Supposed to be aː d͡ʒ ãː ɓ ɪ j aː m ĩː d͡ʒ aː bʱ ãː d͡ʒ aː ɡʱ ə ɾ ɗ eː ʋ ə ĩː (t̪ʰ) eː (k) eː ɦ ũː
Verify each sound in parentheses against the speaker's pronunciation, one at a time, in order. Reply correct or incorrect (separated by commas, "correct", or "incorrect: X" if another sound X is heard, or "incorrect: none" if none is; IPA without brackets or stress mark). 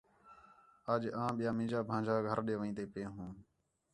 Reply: incorrect: t̪, incorrect: p